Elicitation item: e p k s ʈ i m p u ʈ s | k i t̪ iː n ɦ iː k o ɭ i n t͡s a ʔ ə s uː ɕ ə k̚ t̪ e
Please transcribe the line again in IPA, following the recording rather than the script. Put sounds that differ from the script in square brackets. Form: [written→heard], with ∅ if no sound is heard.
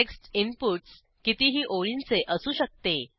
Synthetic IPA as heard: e [p→∅] k s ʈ i m p u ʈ s | k i t̪ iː [n→∅] ɦ iː [k→ʔ] o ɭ i n t͡s [a→e] ʔ ə s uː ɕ ə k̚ t̪ e